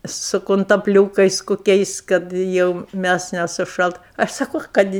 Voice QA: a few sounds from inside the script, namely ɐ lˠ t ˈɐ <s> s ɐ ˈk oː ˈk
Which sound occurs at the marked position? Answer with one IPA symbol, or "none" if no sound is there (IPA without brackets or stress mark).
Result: ʃ